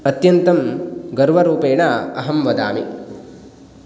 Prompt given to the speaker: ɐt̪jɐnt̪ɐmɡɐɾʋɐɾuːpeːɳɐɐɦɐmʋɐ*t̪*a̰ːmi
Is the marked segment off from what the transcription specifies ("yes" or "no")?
yes